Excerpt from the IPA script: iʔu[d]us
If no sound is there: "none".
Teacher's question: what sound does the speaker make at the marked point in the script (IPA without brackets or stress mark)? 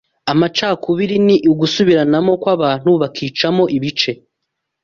ɡ